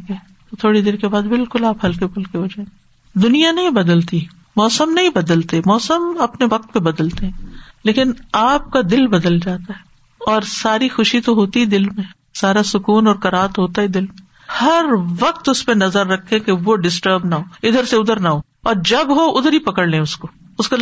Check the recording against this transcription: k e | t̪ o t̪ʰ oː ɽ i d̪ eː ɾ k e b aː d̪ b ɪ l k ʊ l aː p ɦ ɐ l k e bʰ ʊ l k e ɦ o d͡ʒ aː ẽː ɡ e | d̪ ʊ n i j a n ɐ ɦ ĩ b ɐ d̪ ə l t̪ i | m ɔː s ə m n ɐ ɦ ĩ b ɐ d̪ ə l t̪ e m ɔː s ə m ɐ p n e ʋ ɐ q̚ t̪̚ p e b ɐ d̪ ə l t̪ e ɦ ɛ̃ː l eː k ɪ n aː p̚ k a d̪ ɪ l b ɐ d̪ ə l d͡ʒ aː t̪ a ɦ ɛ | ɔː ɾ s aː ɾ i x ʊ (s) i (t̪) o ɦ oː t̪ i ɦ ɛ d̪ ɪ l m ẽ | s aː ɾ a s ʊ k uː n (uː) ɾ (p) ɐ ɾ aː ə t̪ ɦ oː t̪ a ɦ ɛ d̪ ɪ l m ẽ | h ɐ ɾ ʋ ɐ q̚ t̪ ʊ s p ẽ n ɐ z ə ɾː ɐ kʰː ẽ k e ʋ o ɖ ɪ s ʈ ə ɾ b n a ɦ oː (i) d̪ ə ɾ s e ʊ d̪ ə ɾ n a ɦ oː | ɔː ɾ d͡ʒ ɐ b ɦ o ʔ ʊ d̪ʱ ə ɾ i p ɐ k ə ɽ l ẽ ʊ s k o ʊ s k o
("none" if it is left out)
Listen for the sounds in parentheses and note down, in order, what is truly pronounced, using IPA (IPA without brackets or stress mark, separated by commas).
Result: ʃ, t̪, ɔː, k, ɪ